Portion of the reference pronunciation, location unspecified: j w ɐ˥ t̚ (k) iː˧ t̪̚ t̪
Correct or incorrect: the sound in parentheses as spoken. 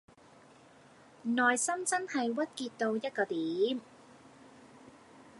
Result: correct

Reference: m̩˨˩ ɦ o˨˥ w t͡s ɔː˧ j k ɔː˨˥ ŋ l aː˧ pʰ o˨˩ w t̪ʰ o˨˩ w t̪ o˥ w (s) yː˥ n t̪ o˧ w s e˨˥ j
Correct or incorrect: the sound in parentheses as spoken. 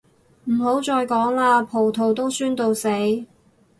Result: correct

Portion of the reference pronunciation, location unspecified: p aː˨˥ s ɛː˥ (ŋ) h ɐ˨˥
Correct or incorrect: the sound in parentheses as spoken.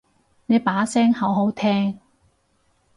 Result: correct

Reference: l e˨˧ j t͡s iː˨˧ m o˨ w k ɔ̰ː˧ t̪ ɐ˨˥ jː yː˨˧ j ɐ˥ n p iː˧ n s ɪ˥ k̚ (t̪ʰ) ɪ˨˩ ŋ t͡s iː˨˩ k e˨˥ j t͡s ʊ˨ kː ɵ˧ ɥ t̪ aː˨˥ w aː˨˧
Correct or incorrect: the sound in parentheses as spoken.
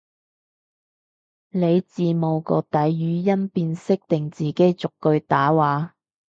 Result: incorrect: t̪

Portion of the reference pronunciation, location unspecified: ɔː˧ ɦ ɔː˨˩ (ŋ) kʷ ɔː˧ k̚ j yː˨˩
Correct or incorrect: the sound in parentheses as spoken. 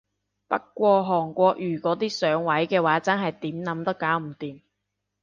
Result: correct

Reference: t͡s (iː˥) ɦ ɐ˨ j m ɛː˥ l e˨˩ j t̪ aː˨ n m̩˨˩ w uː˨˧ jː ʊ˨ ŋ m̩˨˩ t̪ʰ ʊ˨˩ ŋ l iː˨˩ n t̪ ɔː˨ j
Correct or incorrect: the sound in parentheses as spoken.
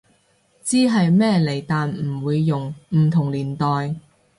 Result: correct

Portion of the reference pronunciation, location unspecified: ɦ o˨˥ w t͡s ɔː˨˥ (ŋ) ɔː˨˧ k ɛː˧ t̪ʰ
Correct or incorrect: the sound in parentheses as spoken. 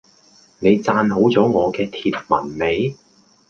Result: correct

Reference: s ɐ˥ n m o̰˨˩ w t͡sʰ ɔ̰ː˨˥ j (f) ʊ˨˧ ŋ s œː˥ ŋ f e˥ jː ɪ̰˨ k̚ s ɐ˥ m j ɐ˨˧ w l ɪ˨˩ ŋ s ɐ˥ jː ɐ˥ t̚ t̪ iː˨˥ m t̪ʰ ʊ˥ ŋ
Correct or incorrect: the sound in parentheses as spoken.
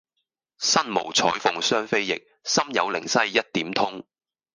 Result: correct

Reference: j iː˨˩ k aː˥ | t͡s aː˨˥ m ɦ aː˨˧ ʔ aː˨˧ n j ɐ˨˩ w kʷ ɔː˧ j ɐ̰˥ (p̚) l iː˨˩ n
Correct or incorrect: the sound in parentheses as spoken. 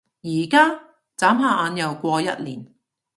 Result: incorrect: t̚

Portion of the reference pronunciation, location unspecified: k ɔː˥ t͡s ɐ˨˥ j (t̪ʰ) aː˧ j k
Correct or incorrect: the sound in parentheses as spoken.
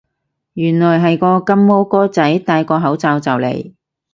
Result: incorrect: t̪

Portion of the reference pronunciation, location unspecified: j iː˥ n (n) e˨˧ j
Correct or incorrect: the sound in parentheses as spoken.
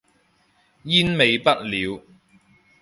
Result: incorrect: m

